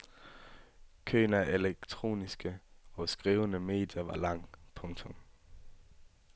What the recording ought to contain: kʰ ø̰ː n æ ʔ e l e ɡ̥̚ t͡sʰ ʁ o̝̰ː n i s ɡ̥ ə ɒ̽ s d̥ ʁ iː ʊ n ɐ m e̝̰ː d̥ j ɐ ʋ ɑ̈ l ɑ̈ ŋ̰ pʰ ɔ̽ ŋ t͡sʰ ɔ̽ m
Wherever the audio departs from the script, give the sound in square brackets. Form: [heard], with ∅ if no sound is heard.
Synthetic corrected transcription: kʰ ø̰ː n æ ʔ e l e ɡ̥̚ t͡sʰ ʁ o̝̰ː n i s ɡ̥ ə ɒ̽ s [ɡ̥] ʁ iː ʊ n [ə] m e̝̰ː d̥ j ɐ ʋ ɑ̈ l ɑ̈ ŋ̰ pʰ ɔ̽ ŋ t͡sʰ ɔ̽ m